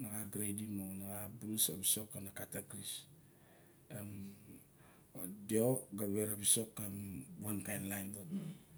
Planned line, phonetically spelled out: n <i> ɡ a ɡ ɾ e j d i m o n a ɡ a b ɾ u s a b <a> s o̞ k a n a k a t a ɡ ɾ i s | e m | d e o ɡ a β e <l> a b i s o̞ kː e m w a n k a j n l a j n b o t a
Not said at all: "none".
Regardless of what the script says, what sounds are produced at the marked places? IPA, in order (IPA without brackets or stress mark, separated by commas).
a, i, ɾ